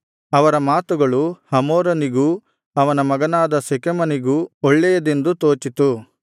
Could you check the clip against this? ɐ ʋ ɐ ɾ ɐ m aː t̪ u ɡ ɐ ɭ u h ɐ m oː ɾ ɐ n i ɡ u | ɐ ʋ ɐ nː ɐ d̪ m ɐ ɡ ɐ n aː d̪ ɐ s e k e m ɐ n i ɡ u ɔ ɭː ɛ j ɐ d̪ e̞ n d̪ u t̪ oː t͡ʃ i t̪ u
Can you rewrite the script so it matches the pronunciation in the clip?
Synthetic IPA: ɐ ʋ ɐ ɾ ɐ m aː t̪ u ɡ ɐ ɭ u h ɐ m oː ɾ ɐ n i ɡ u | ɐ ʋ ɐ n ɐ m ɐ ɡ ɐ n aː d̪ ɐ s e k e m ɐ n i ɡ u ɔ ɭː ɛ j ɐ d̪ e̞ n d̪ u t̪ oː t͡ʃ i t̪ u

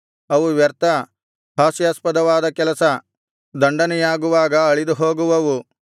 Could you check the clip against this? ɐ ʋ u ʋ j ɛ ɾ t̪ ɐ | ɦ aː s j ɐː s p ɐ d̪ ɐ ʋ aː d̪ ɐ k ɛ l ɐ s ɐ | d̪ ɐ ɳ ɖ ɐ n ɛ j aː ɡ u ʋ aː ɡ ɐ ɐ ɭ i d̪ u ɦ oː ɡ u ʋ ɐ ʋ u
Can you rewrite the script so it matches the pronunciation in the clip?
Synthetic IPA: ɐ ʋ u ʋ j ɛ ɾ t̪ ɐ | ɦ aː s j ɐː s p ɐ d̪ ɐ ʋ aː d̪ ɐ k ɛ l ɐ s ɐ | d̪ ɐ ɳ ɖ ɐ n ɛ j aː ɡ u ʋ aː ɡ ɐ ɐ ɭ i d̪ u ɦ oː ɡ u ʋ ɐ ʋ u

